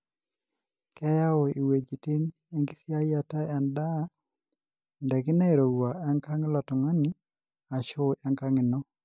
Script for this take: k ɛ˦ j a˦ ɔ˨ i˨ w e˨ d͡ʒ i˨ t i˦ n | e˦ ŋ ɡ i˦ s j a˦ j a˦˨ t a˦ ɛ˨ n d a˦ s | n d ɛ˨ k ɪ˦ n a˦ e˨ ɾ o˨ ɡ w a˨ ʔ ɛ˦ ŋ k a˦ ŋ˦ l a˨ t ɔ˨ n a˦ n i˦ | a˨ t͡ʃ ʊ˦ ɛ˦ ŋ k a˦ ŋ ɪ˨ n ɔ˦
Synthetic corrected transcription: k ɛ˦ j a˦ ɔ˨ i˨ w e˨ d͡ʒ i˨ t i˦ n | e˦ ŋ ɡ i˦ s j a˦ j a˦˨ t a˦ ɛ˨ n d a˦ | n d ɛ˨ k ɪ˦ n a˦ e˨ ɾ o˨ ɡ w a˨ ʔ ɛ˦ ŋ k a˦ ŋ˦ l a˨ t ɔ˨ ŋ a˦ n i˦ | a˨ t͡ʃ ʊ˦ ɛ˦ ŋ k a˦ ŋ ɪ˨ n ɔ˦